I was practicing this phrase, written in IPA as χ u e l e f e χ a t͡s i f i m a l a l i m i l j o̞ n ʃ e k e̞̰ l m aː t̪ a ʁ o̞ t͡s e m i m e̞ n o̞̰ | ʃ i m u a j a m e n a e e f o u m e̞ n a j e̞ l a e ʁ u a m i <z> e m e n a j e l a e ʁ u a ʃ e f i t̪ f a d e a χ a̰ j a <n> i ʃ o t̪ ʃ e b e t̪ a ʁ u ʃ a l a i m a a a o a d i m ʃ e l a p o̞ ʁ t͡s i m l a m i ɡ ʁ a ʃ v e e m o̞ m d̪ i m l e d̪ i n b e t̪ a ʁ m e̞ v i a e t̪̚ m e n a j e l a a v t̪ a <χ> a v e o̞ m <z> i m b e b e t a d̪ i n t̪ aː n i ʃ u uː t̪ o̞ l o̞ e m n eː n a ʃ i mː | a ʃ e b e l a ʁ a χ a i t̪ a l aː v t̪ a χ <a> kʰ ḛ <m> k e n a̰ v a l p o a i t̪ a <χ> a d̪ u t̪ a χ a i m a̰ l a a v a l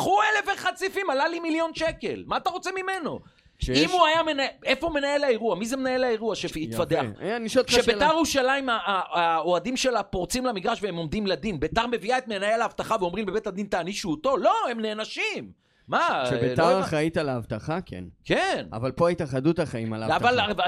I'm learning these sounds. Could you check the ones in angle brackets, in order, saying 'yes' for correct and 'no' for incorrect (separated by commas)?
yes, yes, yes, no, yes, no, yes